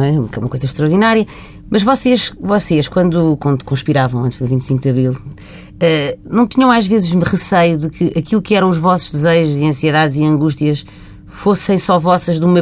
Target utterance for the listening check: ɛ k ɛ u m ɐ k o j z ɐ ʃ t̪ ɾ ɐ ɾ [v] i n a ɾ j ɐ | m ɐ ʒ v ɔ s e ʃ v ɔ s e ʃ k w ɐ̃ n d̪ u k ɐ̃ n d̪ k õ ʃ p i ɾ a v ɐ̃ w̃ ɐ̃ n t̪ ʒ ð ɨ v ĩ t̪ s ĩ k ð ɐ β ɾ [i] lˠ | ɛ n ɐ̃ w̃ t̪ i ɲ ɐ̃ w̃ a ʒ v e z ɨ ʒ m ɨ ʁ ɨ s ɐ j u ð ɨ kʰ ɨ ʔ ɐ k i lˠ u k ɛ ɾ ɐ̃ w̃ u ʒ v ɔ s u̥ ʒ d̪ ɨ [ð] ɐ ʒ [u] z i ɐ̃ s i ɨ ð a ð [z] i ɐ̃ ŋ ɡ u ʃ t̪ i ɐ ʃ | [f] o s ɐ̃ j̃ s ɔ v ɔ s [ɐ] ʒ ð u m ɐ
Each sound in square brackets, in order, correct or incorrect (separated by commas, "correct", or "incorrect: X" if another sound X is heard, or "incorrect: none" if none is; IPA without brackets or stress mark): incorrect: ð, correct, incorrect: z, correct, correct, correct, correct